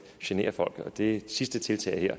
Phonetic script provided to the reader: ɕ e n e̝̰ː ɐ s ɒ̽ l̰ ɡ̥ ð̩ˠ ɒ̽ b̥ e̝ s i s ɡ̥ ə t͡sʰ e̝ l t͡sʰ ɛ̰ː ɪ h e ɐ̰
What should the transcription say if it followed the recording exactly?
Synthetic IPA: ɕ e n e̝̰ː ɐ f ɒ̽ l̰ ɡ̥ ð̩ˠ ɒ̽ d̥ e̝ s i s d̥ ə t͡sʰ e̝ l t͡sʰ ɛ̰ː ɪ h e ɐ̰

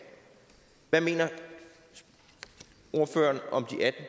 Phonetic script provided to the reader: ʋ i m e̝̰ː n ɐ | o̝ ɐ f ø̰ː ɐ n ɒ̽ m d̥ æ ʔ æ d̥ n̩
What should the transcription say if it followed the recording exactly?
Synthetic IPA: ʋ æ m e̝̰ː n ɐ | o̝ ɐ f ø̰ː ɐ n ɒ̽ m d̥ i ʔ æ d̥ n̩

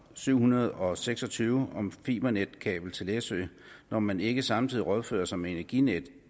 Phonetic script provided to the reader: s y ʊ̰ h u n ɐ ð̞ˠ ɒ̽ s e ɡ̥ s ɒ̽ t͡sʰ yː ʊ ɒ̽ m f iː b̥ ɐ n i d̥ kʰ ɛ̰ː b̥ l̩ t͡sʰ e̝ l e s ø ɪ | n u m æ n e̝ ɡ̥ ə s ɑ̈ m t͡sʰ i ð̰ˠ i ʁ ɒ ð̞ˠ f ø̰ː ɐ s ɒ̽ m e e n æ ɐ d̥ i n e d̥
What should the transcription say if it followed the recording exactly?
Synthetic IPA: s y ʊ̰ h u n ɐ ð̞ˠ ɒ̽ s e ɡ̥ s ɒ̽ t͡sʰ yː ʊ ɒ̽ m f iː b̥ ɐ n e d̥ kʰ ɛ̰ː b̥ l̩ t͡sʰ e̝ l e s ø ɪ | n ɒ m æ n e̝ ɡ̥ ə s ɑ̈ m t͡sʰ i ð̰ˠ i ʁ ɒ ð̞ˠ f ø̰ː ɐ s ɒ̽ m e e n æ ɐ ɡ̥ i n e d̥

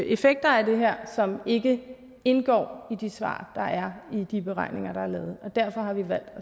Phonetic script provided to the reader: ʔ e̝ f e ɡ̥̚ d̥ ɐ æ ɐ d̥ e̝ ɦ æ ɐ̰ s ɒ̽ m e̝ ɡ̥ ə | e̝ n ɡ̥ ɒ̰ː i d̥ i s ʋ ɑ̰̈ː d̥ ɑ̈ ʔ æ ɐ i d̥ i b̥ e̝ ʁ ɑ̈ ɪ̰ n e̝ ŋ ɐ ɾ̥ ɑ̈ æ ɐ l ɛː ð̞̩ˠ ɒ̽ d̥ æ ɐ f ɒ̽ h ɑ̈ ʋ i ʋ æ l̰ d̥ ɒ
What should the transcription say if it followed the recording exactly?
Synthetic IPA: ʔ e̝ f e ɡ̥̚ d̥ ɐ æ ɐ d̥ e̝ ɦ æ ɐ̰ s ɒ̽ m e̝ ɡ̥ ə | e̝ n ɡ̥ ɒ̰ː i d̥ i s ʋ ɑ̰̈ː d̥ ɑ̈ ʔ æ ɐ i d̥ i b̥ e̝ ʁ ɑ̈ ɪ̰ n e̝ ŋ ɐ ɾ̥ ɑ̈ æ ɐ l ɛː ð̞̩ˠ ɒ̽ d̥ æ ɐ f ɒ̽ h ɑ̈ ʋ i ʋ æ l̰ d̥ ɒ

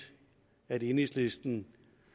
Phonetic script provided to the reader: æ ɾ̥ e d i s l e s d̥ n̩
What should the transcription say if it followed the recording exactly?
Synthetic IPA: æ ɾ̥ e n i s l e s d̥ n̩

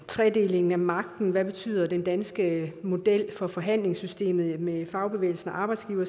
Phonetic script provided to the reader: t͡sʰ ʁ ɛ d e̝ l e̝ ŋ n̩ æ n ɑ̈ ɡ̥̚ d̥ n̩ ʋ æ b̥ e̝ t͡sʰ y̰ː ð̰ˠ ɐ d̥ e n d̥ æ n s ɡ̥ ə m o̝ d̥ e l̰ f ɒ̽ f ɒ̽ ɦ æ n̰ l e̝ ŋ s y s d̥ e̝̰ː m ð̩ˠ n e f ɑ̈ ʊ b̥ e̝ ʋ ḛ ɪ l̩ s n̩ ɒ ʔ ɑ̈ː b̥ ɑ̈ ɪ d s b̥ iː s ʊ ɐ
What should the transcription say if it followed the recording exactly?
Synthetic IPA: t͡sʰ ʁ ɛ d e̝ l e̝ ŋ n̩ æ m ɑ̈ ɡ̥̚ d̥ n̩ ʋ æ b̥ e̝ t͡sʰ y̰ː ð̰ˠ ɐ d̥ e n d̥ æ n s ɡ̥ ə m o̝ d̥ e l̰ f ɒ̽ f ɒ̽ ɦ æ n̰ l e̝ ŋ s y s d̥ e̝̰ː m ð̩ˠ m e f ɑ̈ ʊ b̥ e̝ ʋ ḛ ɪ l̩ s n̩ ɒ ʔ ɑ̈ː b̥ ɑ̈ ɪ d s ɡ̥ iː ʊ ɐ

